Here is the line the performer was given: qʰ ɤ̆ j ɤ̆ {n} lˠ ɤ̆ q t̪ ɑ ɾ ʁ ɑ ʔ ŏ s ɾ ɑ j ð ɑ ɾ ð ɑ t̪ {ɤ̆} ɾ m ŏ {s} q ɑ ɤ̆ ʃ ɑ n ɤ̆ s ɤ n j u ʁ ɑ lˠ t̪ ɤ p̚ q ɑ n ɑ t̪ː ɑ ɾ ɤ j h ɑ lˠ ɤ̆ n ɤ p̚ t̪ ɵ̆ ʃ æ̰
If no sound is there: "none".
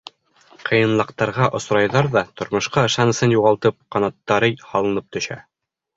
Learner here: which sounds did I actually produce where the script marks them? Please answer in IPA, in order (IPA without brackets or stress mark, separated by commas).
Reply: n, ŏ, ʃ